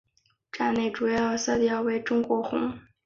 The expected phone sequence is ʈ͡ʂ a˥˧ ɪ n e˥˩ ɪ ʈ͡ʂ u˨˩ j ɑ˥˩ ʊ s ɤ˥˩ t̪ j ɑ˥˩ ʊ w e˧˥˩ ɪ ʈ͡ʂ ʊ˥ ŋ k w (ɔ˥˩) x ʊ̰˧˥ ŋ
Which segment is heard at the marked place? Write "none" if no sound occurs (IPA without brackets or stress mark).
ɔ˧˥